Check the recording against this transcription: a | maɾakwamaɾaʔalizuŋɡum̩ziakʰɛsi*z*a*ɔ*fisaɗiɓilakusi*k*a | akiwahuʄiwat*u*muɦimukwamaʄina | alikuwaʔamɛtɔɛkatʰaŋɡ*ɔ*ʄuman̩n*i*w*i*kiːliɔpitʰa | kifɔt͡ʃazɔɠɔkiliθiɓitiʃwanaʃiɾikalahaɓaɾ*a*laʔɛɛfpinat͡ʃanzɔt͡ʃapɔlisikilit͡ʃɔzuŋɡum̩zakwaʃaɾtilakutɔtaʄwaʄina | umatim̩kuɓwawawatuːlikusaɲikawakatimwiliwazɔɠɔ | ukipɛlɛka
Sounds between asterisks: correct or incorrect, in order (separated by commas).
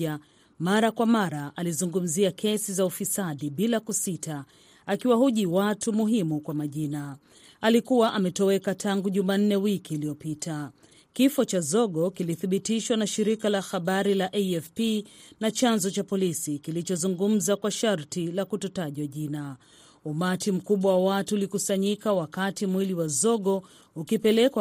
correct, incorrect, incorrect, correct, incorrect, incorrect, correct, incorrect